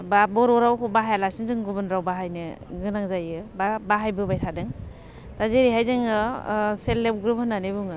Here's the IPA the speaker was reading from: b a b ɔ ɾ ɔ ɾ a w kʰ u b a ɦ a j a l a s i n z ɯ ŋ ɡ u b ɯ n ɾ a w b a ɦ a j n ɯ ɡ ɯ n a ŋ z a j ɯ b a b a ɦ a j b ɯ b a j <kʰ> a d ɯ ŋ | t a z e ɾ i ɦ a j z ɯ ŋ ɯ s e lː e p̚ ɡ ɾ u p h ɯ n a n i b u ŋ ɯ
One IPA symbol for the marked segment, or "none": tʰ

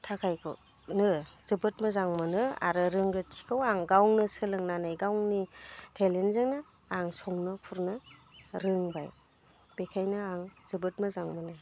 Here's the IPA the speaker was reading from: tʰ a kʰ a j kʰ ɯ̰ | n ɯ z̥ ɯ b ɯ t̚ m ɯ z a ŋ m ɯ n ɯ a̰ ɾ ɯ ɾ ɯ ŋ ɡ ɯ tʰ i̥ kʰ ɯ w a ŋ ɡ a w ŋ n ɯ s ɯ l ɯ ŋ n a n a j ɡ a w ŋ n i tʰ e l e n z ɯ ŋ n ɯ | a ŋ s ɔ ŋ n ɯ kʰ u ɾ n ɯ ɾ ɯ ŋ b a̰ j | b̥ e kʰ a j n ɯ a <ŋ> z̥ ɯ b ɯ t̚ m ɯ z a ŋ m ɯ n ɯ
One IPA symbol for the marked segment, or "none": ŋ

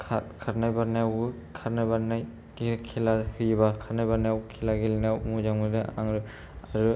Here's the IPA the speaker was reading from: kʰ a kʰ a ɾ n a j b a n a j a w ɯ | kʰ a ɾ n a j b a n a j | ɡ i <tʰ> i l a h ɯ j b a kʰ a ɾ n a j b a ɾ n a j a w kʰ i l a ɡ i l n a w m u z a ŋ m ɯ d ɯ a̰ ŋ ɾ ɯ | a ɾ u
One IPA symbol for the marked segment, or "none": kʰ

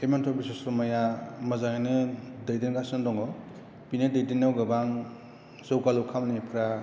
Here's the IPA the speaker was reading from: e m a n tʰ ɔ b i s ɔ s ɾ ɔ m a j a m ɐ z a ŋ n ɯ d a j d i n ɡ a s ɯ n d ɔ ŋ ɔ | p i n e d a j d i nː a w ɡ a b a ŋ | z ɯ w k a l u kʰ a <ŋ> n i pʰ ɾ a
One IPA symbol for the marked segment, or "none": m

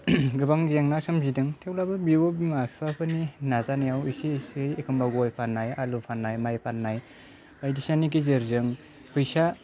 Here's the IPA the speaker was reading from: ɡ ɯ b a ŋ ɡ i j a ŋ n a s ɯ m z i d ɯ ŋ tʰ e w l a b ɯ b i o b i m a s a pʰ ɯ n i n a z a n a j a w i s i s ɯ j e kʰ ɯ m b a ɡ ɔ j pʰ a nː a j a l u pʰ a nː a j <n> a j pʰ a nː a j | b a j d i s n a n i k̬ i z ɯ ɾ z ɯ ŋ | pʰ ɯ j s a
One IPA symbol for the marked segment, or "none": m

